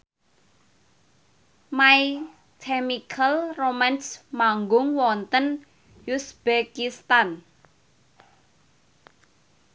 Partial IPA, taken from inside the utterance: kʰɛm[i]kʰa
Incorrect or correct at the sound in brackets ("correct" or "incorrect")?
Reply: correct